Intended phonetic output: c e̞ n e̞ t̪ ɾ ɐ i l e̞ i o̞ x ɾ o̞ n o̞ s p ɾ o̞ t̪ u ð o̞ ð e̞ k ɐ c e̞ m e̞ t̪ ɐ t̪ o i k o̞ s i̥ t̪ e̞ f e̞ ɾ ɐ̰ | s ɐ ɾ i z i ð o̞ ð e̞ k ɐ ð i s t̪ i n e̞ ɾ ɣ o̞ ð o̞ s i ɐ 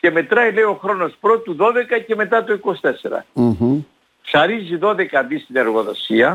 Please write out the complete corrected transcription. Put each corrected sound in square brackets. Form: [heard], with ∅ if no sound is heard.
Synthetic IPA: c e̞ [m] e̞ t̪ ɾ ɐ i l e̞ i o̞ x ɾ o̞ n o̞ s p ɾ o̞ t̪ u ð o̞ ð e̞ k ɐ c e̞ m e̞ t̪ ɐ t̪ o i k o̞ s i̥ t̪ e̞ [s] e̞ ɾ ɐ̰ | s ɐ ɾ i z i ð o̞ ð e̞ k ɐ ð i s t̪ i n e̞ ɾ ɣ o̞ ð o̞ s i ɐ